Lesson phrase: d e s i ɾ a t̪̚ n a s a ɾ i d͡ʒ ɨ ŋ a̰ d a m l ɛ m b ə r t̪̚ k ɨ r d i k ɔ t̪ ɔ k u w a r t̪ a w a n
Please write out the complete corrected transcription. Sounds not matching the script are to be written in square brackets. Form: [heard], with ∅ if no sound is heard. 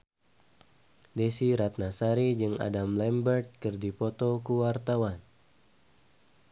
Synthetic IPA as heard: d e s i ɾ a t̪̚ n a s a ɾ i d͡ʒ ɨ ŋ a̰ d a m l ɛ m b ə r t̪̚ k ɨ r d i [p] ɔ t̪ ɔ k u w a r t̪ a w a n